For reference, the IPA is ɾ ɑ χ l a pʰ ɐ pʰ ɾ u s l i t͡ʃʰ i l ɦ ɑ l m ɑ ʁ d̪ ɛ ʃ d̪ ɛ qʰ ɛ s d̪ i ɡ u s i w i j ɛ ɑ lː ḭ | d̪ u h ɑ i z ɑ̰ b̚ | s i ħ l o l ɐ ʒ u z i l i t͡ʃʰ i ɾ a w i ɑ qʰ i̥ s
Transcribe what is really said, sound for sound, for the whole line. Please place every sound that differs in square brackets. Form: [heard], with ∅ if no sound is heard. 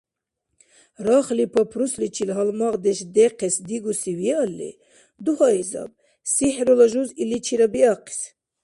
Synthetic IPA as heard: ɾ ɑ χ l [i] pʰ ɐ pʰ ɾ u s l i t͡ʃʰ i l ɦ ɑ l m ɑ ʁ d̪ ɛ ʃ d̪ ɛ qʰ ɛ s d̪ i ɡ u s i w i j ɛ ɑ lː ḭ | d̪ u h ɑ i z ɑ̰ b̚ | s i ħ [ɾ] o l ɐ ʒ u z i l i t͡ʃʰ i ɾ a [b] i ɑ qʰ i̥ s